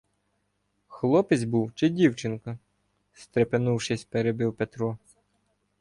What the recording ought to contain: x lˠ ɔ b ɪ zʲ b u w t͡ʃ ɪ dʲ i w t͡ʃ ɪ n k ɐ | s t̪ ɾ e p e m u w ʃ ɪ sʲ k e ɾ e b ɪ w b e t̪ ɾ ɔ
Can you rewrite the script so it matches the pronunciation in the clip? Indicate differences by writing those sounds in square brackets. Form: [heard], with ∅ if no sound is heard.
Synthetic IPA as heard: x lˠ ɔ [p] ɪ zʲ b u w t͡ʃ ɪ dʲ i w t͡ʃ ɪ n k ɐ | s t̪ ɾ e p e [n] u w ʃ ɪ sʲ [p] e ɾ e b ɪ w [p] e t̪ ɾ ɔ